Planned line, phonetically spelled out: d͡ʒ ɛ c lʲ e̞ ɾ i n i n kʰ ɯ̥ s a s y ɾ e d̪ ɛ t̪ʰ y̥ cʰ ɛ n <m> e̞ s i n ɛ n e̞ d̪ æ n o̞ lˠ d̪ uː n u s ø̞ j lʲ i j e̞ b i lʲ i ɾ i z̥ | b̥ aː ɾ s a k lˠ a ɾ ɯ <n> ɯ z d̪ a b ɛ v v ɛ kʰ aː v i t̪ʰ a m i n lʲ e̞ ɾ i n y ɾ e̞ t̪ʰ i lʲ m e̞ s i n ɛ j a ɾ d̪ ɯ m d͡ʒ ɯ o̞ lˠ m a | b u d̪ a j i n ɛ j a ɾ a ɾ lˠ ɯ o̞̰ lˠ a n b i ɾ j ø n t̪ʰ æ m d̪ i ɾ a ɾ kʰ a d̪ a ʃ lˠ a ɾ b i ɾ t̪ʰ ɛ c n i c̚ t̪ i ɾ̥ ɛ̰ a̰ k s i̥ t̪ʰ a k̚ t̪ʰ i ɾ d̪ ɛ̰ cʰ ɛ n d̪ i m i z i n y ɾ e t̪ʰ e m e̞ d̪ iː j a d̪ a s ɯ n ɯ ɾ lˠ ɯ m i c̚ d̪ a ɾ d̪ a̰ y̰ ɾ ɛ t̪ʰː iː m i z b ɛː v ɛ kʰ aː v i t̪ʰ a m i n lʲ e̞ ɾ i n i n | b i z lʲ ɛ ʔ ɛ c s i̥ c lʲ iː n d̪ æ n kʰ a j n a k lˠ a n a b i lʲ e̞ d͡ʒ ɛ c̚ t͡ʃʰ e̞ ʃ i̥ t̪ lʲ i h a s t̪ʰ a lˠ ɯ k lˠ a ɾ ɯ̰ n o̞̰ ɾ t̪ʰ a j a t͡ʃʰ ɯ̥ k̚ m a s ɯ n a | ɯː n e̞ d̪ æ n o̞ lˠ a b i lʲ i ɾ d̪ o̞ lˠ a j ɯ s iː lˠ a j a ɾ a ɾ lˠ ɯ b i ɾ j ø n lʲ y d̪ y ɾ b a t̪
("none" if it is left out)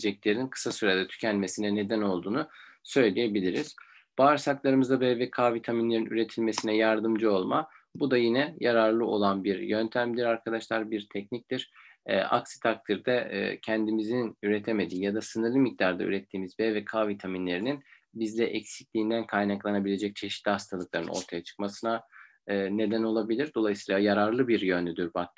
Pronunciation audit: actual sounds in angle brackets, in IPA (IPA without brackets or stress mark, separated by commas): m, m